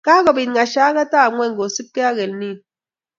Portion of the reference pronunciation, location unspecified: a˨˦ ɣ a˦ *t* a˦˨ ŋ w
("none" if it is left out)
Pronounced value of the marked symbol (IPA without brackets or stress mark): t